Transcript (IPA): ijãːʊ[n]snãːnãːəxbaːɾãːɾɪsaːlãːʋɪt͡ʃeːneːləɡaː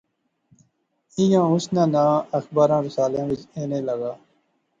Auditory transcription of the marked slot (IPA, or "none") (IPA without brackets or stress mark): none